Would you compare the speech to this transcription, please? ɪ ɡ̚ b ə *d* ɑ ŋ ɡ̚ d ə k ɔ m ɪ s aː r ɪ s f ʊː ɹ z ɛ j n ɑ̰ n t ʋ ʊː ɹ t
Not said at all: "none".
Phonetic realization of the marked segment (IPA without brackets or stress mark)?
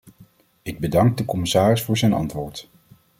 d